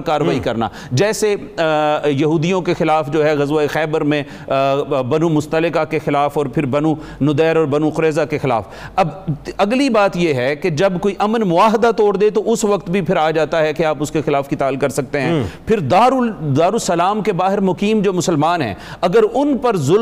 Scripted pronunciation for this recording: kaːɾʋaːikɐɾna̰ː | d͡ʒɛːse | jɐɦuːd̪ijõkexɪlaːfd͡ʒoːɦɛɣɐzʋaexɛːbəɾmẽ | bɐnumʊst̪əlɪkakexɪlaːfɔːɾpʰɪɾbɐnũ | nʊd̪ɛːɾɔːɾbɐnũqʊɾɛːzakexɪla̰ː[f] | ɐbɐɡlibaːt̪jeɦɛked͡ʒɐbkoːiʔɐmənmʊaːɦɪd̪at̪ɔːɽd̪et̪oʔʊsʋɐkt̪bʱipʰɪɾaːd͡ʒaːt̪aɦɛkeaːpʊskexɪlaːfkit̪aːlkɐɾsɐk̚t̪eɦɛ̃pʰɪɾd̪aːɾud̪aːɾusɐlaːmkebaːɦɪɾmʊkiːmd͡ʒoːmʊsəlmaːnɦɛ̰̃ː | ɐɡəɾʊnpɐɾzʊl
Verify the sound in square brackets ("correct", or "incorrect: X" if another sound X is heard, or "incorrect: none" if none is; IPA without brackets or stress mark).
correct